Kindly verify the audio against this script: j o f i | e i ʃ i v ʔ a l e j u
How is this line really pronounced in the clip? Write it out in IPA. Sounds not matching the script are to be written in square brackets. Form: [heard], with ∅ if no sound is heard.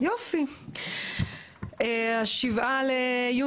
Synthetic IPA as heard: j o f i | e [a] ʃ i v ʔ a l e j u

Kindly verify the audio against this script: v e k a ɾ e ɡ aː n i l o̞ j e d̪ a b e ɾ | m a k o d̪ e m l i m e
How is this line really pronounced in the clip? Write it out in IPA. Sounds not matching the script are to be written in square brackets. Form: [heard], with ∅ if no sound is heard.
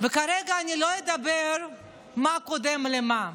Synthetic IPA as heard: v e k a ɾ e ɡ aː n i l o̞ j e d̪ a b e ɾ | m a k o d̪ e m l [e] m [a]

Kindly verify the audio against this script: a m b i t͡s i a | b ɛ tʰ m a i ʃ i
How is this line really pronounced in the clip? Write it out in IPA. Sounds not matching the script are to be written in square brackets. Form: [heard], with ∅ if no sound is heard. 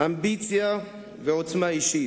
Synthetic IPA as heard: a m b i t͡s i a | [v] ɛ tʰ m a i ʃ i

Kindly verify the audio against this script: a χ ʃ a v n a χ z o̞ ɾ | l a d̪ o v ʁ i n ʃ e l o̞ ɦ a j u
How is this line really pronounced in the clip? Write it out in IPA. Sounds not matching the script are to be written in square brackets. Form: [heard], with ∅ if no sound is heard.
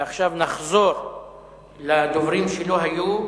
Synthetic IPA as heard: a χ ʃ a v n a χ z o̞ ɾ | l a d̪ o v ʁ i [m] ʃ e l o̞ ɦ a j u

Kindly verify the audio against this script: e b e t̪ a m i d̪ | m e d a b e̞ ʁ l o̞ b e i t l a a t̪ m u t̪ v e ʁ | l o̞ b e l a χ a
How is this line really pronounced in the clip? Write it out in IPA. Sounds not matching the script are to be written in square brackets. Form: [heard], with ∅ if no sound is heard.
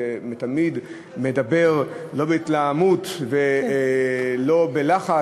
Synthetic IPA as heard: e [m] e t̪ a m i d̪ | m e d a b e̞ ʁ l o̞ b e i t l a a [∅] m u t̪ v e [∅] | l o̞ b e l a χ a

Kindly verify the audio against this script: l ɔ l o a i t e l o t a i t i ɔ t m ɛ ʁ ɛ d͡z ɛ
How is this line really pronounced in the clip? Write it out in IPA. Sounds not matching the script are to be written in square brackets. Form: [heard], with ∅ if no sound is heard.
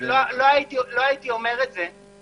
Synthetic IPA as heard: l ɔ l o a i t [i] l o [∅] a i t i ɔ [∅] m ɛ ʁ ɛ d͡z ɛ

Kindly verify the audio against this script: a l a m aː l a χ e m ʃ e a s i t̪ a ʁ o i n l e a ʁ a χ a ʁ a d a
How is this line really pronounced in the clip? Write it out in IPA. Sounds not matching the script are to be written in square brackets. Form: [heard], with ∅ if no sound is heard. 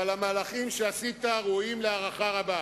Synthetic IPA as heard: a l a m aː l a χ [i] m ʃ e a s i t̪ a ʁ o i [m] l e a ʁ a χ a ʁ a [b] a

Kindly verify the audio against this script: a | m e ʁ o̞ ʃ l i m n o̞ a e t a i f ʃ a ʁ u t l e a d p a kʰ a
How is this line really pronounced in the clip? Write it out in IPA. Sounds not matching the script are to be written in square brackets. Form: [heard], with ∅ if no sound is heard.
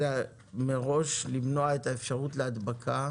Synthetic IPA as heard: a | m e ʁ o̞ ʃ l i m n o̞ a e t a [e] f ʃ a ʁ u t l e a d [b] a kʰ a

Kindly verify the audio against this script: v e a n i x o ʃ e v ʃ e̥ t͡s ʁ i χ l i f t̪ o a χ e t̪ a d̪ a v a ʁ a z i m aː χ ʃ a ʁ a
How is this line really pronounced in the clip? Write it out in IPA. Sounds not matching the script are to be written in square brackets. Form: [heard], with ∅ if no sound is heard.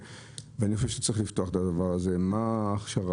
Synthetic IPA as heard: v e a n i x o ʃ e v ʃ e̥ t͡s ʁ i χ l i f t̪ o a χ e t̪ a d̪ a v a ʁ a z [e] m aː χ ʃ a ʁ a

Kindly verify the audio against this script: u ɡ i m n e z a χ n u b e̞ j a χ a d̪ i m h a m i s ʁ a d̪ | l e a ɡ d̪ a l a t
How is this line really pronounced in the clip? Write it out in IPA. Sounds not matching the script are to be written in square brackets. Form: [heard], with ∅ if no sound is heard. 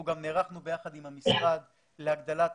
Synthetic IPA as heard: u ɡ [a] m n e [ʁ] a χ n u b e̞ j a χ a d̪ i m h a m i s ʁ a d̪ | l e a ɡ d̪ a l a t

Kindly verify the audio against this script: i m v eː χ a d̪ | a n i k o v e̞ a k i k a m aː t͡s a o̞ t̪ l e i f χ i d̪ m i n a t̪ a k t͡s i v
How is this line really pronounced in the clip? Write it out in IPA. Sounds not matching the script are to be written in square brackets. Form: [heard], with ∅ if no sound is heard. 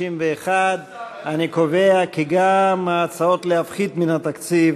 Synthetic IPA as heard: i m v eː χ a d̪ | a n i k o v e̞ a k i [ɡ] a m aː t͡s a o̞ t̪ l e [a] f χ i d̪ m i n a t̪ a k t͡s i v

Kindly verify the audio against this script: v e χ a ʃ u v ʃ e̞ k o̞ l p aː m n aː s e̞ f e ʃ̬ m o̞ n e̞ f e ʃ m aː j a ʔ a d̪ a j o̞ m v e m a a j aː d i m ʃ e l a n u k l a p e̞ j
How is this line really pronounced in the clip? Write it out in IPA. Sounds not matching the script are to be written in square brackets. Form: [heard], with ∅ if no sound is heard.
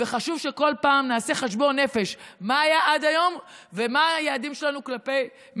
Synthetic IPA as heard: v e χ a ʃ u v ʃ e̞ k o̞ l p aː m n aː s e̞ [χ] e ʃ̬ [b] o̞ n e̞ f e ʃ m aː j a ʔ a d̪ a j o̞ m v e m a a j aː d i m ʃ e l a n u k l a p e̞ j

